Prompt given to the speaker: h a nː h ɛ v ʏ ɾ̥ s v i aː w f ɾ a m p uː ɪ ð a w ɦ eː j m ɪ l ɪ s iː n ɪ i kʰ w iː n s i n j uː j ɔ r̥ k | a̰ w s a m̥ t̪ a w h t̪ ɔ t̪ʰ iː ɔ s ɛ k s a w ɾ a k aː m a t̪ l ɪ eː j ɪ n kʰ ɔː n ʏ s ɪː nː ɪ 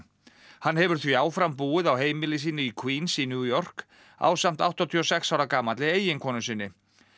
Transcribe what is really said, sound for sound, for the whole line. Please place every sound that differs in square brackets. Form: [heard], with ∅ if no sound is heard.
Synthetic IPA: h a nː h ɛ v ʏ ɾ̥ [θ] v i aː w f ɾ a m p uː ɪ ð a w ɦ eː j m ɪ l ɪ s iː n ɪ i kʰ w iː n s i n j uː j ɔ r̥ k | a̰ w s a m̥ t̪ a w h t̪ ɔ t̪ʰ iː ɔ s ɛ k s a w ɾ a k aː m a t̪ l ɪ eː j ɪ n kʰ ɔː n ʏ s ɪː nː ɪ